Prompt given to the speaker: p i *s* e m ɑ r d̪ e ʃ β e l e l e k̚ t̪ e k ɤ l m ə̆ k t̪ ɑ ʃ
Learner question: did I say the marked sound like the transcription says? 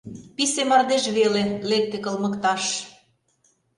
yes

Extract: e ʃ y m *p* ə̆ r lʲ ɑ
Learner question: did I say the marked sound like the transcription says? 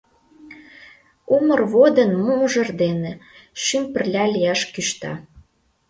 yes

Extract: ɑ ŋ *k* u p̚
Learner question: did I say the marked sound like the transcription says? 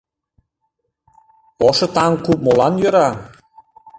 yes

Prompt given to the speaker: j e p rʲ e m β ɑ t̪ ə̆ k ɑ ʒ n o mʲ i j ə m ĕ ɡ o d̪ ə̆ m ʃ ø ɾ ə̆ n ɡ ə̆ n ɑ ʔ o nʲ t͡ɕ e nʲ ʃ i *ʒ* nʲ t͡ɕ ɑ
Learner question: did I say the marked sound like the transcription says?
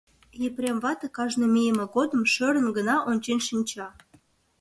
no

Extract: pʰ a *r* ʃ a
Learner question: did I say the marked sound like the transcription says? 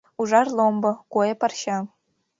yes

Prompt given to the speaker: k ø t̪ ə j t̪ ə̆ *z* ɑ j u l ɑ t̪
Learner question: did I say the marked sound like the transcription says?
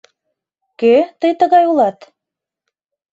no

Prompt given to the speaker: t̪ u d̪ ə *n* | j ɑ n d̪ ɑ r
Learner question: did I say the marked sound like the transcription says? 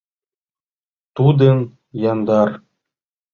yes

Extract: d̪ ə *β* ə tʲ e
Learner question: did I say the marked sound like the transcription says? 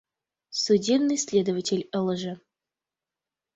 no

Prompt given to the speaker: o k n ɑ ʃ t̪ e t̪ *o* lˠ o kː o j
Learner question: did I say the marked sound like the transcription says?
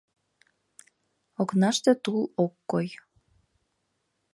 no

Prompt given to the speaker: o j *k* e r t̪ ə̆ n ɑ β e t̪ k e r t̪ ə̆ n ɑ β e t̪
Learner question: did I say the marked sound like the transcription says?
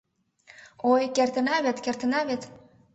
yes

